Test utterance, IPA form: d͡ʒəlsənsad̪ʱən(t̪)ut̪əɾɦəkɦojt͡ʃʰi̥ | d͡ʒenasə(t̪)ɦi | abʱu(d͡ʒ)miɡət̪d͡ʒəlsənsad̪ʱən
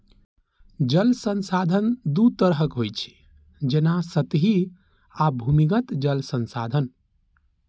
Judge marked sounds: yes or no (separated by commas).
no, yes, no